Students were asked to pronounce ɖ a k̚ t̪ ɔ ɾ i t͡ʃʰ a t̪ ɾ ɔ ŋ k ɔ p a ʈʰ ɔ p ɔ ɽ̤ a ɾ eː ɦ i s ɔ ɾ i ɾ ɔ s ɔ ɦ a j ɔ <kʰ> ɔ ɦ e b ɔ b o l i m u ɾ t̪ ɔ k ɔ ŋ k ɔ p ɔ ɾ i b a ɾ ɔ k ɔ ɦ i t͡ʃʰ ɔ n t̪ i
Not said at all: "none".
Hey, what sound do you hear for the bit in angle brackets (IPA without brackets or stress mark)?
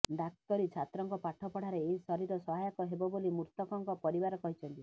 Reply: k